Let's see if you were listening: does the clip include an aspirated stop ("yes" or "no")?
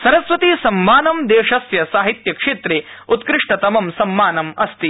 no